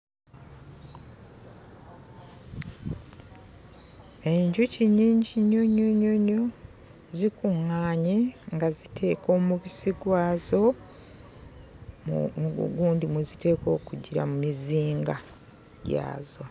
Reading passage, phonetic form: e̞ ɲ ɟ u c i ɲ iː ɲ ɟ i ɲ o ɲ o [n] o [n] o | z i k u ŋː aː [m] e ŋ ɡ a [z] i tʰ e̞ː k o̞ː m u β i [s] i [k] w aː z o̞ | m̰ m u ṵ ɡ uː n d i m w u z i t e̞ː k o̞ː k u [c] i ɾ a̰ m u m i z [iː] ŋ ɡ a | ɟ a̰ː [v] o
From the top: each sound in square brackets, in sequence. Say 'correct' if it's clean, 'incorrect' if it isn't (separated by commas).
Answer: incorrect, incorrect, incorrect, correct, correct, incorrect, incorrect, correct, incorrect